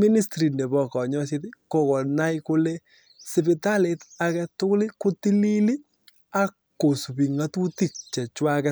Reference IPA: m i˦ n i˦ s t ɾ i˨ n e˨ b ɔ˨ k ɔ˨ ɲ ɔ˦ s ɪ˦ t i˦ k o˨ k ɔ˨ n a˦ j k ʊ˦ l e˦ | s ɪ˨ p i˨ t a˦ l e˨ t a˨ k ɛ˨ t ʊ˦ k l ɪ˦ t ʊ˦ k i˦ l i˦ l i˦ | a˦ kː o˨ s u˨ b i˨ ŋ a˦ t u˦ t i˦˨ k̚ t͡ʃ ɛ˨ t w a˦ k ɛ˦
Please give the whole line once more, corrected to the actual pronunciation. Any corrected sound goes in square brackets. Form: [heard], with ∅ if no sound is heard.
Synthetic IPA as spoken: m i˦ n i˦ s t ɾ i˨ n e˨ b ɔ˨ k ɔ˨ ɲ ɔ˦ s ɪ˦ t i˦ k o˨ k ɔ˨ n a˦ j k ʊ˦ l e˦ | s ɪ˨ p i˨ t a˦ l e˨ t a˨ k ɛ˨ t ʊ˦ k l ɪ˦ [k] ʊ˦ [t] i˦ l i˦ l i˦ | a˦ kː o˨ s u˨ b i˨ ŋ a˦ t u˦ t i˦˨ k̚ t͡ʃ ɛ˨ [t͡ʃ] w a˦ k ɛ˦